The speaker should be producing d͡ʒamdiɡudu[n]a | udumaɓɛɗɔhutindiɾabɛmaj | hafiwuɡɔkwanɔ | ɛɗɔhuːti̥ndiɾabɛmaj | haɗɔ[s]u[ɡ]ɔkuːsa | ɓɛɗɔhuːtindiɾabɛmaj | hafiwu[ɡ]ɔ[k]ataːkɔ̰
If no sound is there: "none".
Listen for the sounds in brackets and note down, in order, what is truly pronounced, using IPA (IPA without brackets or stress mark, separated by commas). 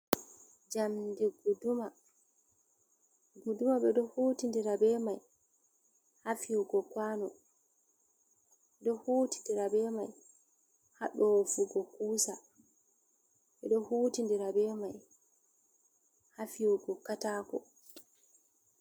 m, f, ɡ, ɡ, k